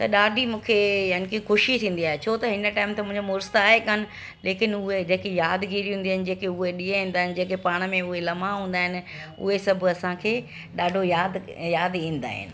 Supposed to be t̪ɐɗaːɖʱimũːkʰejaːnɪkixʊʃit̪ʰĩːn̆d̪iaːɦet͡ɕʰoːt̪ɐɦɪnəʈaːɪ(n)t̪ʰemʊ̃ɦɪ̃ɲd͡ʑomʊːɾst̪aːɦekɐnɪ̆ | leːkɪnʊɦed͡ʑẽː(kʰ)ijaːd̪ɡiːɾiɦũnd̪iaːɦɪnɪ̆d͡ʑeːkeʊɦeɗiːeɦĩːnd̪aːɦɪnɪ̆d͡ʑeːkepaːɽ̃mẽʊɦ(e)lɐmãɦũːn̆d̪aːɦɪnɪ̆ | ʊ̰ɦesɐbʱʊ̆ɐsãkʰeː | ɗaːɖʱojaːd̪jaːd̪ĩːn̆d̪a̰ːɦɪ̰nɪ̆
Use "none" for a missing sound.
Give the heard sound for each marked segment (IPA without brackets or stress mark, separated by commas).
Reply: m, k, e